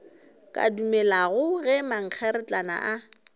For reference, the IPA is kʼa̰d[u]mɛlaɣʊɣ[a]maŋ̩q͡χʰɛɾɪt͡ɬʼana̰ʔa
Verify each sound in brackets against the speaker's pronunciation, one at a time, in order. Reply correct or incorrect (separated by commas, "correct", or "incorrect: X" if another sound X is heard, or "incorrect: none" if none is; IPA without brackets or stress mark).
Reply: correct, incorrect: ɛ